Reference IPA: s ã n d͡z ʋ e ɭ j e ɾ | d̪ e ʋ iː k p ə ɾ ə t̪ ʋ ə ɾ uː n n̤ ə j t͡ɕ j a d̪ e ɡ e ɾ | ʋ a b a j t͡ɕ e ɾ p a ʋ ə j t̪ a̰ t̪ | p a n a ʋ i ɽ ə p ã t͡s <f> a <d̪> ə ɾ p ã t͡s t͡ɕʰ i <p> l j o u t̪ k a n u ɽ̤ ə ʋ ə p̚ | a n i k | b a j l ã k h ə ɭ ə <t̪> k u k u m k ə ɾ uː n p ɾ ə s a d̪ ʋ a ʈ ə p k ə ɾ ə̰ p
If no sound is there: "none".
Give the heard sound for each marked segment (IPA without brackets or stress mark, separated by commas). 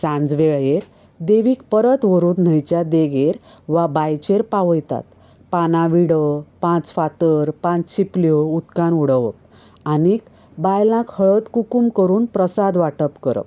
f, t̪, p, t̪